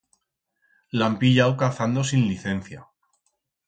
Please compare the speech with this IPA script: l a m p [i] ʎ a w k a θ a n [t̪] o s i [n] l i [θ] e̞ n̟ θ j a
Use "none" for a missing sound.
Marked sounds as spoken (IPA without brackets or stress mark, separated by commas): i, d̪, n, θ